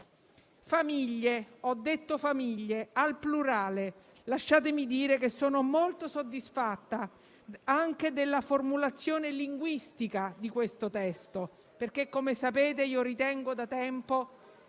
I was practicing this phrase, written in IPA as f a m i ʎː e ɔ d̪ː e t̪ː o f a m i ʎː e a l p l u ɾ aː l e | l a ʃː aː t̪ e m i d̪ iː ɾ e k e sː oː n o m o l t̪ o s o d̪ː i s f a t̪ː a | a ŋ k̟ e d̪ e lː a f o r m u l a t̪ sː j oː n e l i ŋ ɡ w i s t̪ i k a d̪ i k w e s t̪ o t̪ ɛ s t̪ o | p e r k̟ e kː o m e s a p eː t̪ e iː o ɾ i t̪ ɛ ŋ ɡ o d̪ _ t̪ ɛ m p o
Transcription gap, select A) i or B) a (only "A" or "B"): B